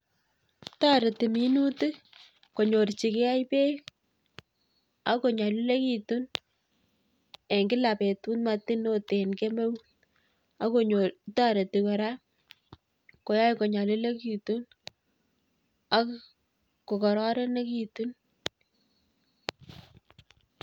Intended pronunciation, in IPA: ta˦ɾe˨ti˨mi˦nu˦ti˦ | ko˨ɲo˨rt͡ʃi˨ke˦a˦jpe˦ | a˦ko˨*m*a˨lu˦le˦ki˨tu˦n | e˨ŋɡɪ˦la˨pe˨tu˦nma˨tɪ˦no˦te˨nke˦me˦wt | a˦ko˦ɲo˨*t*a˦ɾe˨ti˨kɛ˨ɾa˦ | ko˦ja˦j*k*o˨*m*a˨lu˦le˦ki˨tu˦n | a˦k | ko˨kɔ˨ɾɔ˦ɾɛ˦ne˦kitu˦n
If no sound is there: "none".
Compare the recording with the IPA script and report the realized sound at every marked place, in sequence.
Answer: ɲ, t, k, ɲ

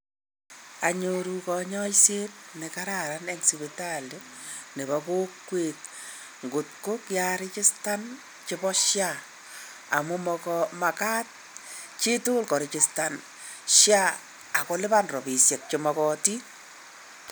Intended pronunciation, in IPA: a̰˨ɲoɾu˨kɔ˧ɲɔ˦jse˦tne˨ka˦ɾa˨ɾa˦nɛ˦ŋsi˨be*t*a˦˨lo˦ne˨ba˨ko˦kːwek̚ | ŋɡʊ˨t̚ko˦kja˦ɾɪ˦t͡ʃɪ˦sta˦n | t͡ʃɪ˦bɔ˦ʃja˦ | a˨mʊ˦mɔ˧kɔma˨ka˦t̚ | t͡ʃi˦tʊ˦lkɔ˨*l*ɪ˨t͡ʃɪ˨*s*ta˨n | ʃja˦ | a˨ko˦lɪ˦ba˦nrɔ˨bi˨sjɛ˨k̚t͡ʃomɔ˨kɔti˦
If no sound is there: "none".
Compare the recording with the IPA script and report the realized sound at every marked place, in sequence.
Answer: t, ɾ, s

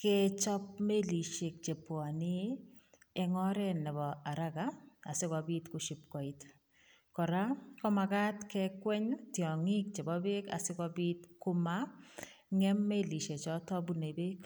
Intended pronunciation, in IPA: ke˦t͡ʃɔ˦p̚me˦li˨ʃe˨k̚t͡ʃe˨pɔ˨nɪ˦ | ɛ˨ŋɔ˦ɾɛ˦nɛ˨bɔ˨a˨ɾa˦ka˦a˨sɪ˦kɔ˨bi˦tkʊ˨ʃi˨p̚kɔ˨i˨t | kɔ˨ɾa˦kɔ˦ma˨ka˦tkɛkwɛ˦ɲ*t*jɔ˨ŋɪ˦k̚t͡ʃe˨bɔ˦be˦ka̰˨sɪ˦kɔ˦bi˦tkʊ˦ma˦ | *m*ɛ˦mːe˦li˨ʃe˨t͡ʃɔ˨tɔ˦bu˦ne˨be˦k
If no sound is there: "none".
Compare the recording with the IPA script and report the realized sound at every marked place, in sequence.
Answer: t, ŋ

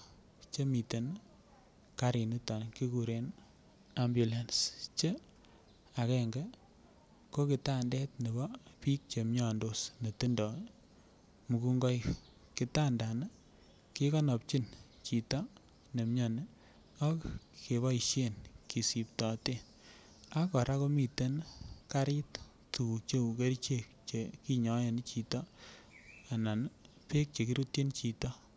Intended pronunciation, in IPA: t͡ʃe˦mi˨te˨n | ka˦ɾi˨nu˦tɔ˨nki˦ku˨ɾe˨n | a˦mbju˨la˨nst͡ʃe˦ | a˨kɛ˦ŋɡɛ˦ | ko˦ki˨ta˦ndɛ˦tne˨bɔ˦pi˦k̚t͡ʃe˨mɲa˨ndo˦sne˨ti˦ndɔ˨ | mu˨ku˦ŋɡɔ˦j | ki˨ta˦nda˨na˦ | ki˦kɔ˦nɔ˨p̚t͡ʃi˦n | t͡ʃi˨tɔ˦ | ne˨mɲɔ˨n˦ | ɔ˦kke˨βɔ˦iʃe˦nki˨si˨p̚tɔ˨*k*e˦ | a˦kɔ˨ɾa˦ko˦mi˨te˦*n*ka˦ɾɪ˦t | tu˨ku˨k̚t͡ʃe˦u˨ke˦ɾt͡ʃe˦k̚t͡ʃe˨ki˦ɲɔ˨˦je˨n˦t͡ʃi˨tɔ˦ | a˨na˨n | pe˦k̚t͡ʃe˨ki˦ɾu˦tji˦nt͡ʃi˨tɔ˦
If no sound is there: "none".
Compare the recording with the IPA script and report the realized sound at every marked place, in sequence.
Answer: t, n

